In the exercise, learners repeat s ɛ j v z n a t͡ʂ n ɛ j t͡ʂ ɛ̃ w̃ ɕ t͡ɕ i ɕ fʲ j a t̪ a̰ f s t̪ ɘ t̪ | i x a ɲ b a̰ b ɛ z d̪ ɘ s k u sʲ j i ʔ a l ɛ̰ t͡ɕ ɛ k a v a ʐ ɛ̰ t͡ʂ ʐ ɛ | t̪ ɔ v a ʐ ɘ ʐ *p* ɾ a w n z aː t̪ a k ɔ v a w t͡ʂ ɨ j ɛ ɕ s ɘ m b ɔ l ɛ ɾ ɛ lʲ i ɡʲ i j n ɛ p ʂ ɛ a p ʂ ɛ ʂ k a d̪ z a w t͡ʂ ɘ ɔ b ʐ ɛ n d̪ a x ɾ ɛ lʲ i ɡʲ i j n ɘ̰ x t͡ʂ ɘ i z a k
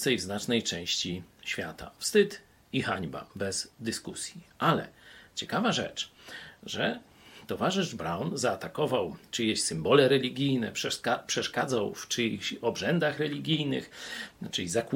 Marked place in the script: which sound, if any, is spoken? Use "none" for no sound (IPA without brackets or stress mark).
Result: b